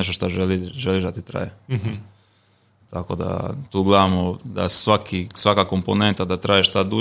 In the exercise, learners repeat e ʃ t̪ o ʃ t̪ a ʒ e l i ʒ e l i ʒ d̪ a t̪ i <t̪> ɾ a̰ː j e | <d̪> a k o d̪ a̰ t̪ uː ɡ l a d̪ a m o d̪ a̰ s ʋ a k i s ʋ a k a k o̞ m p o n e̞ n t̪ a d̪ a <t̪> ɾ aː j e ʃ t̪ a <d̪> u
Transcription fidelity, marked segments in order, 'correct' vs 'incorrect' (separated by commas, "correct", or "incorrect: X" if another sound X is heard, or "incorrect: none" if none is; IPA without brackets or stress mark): correct, incorrect: t̪, correct, correct